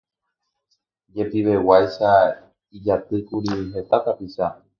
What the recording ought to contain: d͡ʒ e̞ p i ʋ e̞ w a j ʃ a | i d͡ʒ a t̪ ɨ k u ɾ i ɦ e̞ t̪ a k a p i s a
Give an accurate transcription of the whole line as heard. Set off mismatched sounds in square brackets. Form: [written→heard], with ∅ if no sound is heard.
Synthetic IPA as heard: d͡ʒ e̞ p i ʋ e̞ w a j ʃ a | i d͡ʒ a t̪ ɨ k u ɾ i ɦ e̞ t̪ a k a p i [s→ʃ] a

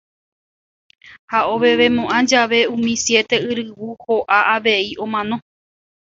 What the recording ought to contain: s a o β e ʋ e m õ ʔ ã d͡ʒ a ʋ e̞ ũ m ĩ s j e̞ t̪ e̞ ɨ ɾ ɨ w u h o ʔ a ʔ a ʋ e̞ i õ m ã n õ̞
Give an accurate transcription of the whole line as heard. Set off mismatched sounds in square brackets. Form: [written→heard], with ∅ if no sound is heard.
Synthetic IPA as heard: [s→h] a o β e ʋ e m õ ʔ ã d͡ʒ a ʋ e̞ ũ m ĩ s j e̞ t̪ e̞ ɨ ɾ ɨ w u h o ʔ a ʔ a ʋ e̞ i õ m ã n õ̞

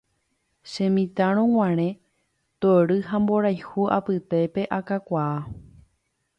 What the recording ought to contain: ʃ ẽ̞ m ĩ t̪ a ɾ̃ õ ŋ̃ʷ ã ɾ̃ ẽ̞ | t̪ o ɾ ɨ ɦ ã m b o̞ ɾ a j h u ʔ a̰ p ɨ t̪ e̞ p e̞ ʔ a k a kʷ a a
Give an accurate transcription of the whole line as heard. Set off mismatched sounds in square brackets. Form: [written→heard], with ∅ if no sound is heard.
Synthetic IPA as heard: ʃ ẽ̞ m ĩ t̪ a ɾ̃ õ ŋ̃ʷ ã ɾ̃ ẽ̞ | t̪ o ɾ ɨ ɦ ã m b o̞ ɾ a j h u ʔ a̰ p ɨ t̪ e̞ p e̞ ʔ a k a kʷ a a

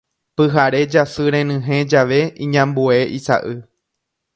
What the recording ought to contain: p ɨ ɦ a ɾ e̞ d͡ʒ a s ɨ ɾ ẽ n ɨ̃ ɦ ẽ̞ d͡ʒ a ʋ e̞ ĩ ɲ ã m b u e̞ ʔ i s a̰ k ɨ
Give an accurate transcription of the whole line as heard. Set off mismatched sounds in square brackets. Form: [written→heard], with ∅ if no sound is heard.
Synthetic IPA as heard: p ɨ ɦ a ɾ e̞ d͡ʒ a s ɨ ɾ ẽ n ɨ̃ ɦ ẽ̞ d͡ʒ a ʋ e̞ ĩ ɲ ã m b u e̞ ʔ i s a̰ [k→ʔ] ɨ

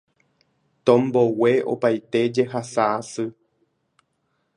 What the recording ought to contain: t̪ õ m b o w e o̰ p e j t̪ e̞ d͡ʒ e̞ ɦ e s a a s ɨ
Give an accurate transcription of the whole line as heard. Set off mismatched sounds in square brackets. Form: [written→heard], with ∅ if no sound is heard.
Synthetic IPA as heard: t̪ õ m b o w e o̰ p [e→a] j t̪ e̞ d͡ʒ e̞ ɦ [e→a] s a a s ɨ

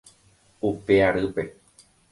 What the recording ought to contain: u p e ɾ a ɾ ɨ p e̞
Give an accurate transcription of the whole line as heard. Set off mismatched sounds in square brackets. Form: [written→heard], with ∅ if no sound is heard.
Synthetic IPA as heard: u p e [ɾ→∅] a ɾ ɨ p e̞

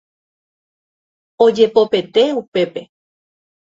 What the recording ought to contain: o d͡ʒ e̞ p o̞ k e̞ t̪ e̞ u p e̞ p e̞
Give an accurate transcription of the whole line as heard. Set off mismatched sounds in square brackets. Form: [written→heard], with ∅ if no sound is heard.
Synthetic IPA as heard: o d͡ʒ e̞ p o̞ [k→p] e̞ t̪ e̞ u p e̞ p e̞

